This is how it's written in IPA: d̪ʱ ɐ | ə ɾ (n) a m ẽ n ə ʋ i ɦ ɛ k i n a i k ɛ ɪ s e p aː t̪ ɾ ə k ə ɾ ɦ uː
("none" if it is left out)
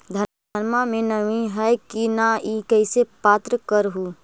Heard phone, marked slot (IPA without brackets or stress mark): m